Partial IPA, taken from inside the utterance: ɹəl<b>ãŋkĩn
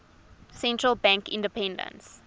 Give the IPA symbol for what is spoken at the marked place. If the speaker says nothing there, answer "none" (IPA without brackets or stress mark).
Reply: b